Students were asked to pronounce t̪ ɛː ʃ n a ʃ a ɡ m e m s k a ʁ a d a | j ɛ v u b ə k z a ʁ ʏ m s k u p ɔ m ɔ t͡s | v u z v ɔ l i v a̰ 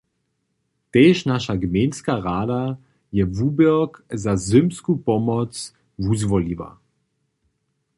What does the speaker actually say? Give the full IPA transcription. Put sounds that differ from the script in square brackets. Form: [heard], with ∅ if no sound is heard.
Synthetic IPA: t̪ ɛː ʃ n a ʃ a ɡ m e [n] s k a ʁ a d a | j ɛ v u b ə k z a [z] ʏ m s k u p ɔ m ɔ t͡s | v u z v ɔ l i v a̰

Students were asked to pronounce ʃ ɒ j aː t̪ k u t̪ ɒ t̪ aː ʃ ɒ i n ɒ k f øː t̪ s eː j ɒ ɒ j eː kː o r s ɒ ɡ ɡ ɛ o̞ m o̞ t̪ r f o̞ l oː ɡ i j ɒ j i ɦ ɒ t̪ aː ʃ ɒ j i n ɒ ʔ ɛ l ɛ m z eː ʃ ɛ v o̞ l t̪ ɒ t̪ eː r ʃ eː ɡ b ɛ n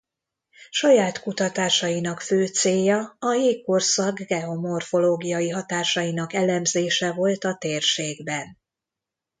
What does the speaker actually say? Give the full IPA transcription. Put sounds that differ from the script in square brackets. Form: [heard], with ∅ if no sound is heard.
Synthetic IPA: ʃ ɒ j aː t̪ k u t̪ ɒ t̪ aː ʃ ɒ i n ɒ k f øː t̪ s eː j ɒ ɒ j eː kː o r s ɒ ɡ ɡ ɛ o̞ m o̞ [∅] r f o̞ l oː ɡ i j ɒ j i ɦ ɒ t̪ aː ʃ ɒ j i n ɒ [k] ɛ l ɛ m z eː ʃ ɛ v o̞ l t̪ ɒ t̪ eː r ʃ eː ɡ b ɛ n

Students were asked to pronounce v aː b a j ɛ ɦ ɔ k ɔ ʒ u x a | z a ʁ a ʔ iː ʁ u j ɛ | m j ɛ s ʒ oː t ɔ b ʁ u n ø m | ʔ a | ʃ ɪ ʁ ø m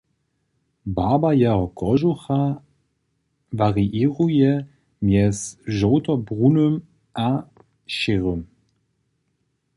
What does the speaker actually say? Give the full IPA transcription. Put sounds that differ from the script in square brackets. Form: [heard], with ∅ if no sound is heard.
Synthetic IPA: [b] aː b a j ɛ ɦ ɔ k ɔ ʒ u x a | [v] a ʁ [i] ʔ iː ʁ u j ɛ | m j ɛ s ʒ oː t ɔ b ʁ u n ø m | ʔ a | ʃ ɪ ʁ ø m

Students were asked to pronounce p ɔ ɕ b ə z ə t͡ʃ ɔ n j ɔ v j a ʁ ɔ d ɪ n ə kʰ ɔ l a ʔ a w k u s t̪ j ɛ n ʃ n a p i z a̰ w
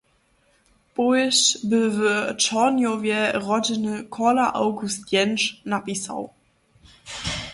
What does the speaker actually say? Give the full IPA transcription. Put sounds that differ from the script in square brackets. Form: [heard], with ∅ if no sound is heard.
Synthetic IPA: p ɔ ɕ b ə [v] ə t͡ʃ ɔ n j ɔ v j [ɛ] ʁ ɔ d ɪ n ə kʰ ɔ l a ʔ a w [ɡ] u s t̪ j ɛ n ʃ n a p i [s] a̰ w

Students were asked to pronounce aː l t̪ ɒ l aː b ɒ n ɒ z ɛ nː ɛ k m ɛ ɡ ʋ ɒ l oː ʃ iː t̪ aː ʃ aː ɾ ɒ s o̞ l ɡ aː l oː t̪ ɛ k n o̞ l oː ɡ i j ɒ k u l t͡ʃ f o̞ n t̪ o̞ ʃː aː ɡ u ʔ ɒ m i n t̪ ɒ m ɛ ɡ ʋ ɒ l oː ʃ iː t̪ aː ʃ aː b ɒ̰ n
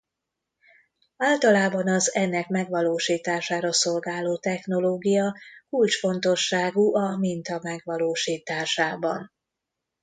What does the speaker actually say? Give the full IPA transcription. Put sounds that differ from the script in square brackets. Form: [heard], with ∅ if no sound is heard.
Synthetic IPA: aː l t̪ ɒ l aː b ɒ n ɒ z ɛ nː ɛ k m ɛ ɡ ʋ ɒ l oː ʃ iː t̪ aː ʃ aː ɾ ɒ s o̞ l ɡ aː l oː t̪ ɛ [x] n o̞ l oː ɡ i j ɒ k u l t͡ʃ f o̞ n t̪ o̞ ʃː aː ɡ u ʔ ɒ m i n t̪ ɒ m ɛ ɡ ʋ ɒ l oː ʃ iː t̪ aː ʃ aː b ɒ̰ n

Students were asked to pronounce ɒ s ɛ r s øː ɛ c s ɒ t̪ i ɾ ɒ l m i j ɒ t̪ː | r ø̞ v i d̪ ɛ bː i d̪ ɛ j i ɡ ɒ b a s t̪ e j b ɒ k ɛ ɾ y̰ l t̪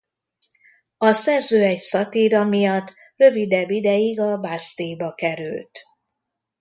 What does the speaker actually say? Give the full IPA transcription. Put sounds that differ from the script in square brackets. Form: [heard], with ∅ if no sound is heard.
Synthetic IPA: ɒ s ɛ r [z] øː ɛ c s ɒ t̪ i ɾ ɒ [∅] m i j ɒ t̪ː | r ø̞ v i d̪ ɛ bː i d̪ ɛ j i ɡ ɒ b a s t̪ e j b ɒ k ɛ ɾ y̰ l t̪

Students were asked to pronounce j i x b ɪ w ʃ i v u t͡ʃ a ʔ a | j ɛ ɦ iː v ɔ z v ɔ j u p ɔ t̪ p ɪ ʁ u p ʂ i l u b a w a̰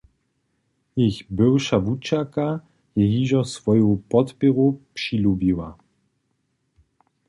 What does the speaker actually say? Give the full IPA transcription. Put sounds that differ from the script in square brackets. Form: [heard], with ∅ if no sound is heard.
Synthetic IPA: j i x b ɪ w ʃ [a] v u t͡ʃ a [k] a | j ɛ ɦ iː [ʒ] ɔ [s] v ɔ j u p ɔ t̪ p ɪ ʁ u p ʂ i l u b [i] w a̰

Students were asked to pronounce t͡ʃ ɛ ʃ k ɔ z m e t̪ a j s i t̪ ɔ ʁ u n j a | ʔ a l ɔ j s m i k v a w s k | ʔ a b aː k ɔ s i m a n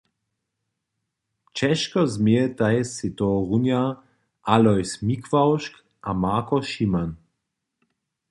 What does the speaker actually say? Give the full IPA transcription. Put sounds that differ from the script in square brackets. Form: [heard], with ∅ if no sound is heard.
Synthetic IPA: t͡ʃ ɛ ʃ k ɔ z m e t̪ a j s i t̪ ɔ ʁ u n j a | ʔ a l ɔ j s m i k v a w [ʃ] k | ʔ a [m] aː k ɔ [ʃ] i m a n

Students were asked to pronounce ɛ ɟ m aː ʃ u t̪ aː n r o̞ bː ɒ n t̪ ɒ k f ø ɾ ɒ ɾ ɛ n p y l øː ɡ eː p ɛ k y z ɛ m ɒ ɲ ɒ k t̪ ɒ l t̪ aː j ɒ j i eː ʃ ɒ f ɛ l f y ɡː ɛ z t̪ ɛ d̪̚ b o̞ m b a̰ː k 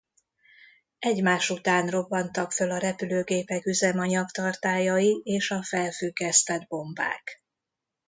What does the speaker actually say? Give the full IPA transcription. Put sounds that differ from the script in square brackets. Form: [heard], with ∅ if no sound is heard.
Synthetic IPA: ɛ ɟ m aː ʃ u t̪ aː n r o̞ bː ɒ n t̪ ɒ k f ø [l] ɒ ɾ ɛ [∅] p y l øː ɡ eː p ɛ k y z ɛ m ɒ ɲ ɒ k t̪ ɒ [r] t̪ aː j ɒ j i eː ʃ ɒ f ɛ l f y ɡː ɛ [s] t̪ ɛ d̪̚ b o̞ m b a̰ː k

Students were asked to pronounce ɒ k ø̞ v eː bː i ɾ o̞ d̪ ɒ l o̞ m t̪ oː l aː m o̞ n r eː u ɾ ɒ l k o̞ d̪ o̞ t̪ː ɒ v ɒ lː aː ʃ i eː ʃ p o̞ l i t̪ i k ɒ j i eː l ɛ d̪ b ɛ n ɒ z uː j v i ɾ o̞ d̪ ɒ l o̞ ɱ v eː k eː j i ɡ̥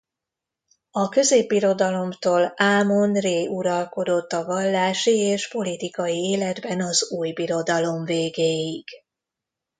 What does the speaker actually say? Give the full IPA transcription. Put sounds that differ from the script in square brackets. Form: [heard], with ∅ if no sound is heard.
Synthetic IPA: ɒ k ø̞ [z] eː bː i ɾ o̞ d̪ ɒ l o̞ m t̪ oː l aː m o̞ n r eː u ɾ ɒ l k o̞ d̪ o̞ t̪ː ɒ v ɒ lː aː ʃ i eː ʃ p o̞ l i t̪ i k ɒ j i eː l ɛ d̪ b ɛ n ɒ z uː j [b] i ɾ o̞ d̪ ɒ l o̞ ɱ v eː [ɡ] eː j i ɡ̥

